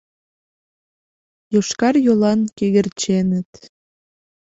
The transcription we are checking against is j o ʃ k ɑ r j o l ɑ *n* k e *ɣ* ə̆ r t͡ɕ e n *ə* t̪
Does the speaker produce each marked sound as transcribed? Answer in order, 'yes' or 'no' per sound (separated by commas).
yes, yes, yes